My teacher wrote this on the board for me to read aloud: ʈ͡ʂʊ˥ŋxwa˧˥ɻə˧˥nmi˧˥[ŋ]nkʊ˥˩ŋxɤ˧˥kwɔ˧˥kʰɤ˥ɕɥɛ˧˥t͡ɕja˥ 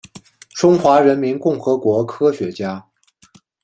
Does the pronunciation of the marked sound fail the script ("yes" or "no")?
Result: yes